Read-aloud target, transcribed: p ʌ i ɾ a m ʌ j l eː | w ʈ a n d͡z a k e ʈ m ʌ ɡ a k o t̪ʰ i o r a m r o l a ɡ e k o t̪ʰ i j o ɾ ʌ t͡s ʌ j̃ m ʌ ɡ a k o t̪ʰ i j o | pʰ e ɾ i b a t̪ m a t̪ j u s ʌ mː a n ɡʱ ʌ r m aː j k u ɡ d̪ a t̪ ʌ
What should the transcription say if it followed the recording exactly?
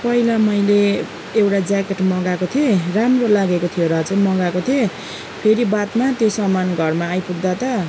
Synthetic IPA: p ʌ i l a m ʌ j l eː | w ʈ a d͡z a k e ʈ m ʌ ɡ a k o t̪ʰ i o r a m r o l a ɡ e k o t̪ʰ i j o ɾ ʌ t͡s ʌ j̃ m ʌ ɡ a k o t̪ʰ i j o | pʰ e ɾ i b a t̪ m a t̪ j o s ʌ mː a n ɡʱ ʌ r m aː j p u ɡ d̪ a t̪ ʌ